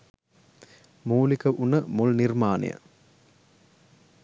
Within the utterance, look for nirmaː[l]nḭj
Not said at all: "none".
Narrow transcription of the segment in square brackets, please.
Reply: none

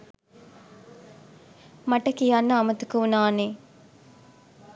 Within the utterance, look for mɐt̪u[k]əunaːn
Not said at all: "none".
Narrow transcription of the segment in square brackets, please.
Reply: k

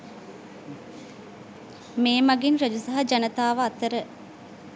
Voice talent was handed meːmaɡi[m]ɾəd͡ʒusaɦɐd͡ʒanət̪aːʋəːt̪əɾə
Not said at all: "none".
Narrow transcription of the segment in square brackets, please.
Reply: n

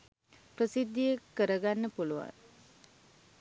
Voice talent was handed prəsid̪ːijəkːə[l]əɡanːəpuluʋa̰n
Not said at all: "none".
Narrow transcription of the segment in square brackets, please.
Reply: ɾ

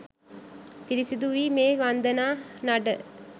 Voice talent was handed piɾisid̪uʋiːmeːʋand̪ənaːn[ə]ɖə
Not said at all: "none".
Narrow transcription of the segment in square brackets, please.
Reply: a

